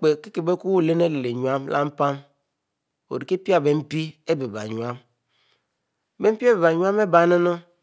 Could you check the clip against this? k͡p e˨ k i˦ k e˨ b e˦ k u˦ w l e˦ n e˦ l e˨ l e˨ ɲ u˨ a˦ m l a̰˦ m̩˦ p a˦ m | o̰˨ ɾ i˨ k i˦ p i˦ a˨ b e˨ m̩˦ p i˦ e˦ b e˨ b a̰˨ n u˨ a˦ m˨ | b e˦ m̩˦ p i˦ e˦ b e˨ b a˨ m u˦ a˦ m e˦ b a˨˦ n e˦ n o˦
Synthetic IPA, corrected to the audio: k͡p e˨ k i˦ k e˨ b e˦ k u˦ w l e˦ n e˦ l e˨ l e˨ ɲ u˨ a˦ m l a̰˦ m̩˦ p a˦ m | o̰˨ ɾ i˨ k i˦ p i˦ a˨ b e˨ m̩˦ p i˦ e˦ b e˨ b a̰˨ ɲ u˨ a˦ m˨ | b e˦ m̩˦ p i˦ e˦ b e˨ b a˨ ɲ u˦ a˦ m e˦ b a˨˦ n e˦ n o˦